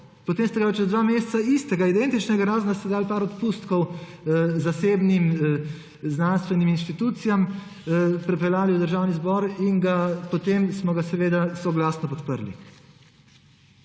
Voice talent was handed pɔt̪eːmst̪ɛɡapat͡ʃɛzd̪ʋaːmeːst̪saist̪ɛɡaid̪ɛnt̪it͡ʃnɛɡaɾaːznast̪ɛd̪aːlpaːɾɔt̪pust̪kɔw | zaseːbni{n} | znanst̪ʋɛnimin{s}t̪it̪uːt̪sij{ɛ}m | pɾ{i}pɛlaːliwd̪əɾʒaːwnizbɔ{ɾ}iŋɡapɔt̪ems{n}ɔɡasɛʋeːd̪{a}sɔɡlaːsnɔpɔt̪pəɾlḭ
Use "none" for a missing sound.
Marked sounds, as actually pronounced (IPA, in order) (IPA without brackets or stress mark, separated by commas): m, ʃ, a, ɛ, ɾ, m, a